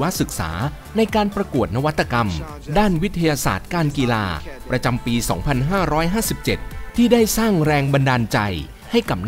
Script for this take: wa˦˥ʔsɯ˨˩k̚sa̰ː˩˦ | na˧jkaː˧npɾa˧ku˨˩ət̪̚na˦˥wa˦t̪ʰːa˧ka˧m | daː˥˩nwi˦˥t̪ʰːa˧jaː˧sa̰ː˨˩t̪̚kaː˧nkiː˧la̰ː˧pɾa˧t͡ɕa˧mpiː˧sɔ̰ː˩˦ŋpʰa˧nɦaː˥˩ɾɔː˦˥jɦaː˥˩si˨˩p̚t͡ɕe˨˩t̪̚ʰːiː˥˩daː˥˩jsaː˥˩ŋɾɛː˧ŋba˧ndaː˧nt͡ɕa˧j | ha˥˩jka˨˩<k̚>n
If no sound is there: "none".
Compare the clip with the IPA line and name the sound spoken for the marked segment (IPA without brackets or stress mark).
p̚